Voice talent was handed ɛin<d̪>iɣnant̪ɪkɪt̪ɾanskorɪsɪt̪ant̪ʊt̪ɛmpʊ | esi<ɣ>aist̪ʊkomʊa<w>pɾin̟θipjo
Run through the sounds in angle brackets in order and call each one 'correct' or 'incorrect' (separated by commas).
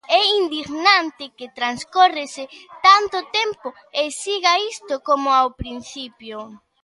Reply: correct, correct, correct